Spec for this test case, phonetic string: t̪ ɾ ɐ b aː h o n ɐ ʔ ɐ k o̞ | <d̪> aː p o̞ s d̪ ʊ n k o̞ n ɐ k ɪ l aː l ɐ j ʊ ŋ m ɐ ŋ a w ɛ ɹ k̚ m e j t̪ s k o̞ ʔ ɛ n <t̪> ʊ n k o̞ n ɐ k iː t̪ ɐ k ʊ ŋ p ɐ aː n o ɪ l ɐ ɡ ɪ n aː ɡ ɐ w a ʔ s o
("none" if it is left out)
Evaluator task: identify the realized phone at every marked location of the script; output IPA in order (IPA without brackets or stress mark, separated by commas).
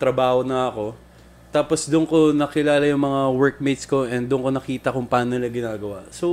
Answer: t̪, d̪